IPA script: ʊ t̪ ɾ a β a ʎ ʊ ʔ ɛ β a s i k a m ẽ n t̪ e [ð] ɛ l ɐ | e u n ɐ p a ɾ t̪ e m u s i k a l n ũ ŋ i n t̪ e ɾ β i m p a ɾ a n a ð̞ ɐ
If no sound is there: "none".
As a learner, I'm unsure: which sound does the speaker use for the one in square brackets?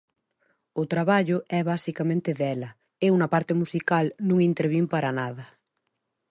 ð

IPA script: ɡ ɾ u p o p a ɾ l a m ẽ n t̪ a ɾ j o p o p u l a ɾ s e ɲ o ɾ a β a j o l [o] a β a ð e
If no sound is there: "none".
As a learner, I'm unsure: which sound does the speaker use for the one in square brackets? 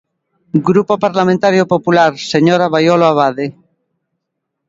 o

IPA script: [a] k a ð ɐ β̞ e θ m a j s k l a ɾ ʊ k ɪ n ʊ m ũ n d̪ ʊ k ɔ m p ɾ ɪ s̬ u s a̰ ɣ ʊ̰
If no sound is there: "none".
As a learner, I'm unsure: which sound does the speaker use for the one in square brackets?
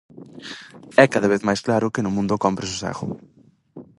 ɛ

